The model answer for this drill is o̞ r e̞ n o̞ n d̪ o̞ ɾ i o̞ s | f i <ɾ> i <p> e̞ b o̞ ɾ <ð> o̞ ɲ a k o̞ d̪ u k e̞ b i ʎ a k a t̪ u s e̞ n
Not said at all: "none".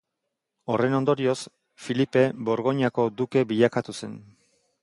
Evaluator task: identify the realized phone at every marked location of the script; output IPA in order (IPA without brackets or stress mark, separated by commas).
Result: l, p, ɣ